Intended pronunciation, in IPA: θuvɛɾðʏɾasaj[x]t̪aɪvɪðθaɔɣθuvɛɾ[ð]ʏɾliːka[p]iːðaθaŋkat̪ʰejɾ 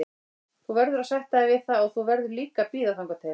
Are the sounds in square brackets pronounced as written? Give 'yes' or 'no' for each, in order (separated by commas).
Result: no, yes, yes